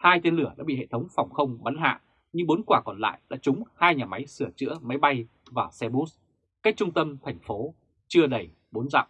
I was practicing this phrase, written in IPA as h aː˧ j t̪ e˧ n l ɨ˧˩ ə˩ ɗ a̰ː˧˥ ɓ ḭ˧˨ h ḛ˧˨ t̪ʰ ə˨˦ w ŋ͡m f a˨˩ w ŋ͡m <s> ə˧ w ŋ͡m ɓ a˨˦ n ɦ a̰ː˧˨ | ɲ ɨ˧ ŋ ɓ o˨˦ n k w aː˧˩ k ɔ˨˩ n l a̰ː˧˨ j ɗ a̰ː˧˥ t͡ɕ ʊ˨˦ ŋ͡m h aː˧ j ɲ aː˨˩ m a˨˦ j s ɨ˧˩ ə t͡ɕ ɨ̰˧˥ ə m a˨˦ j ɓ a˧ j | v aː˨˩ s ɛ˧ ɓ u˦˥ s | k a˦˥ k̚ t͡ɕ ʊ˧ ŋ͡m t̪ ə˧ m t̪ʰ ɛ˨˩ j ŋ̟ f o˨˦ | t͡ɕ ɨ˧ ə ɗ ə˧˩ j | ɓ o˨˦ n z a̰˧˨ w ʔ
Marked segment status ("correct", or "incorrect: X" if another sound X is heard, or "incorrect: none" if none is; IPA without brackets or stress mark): incorrect: x